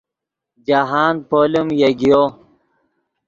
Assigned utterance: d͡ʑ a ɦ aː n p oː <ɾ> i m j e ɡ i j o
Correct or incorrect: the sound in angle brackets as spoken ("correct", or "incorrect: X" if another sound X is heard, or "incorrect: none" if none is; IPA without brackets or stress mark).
incorrect: l